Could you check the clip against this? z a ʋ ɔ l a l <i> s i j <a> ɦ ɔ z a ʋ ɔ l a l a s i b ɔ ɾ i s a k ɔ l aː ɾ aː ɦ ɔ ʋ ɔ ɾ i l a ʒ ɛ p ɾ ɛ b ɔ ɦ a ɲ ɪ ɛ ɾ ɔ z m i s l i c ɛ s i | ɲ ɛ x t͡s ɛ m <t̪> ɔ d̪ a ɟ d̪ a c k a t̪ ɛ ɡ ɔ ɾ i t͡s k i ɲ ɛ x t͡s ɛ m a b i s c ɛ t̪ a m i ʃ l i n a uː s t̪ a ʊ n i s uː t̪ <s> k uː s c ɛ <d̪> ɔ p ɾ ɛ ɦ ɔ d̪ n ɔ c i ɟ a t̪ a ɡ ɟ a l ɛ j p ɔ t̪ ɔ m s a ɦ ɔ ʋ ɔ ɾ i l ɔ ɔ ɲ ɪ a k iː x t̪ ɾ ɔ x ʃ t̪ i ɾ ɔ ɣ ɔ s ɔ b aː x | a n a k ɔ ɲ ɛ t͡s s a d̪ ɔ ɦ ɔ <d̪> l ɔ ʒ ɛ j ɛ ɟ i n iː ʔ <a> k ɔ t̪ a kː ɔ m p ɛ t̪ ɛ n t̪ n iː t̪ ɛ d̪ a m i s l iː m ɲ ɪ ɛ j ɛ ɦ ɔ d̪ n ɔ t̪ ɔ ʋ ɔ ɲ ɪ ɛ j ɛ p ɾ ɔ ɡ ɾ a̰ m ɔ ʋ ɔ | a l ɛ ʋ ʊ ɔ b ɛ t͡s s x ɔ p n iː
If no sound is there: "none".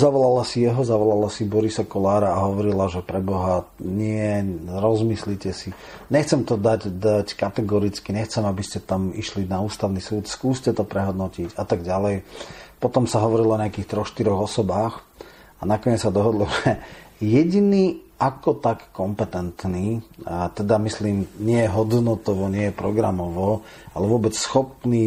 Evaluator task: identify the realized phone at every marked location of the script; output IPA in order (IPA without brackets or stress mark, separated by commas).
a, ɛ, t̪, s, t̪, d̪, a